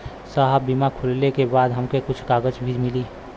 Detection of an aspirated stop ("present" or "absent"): present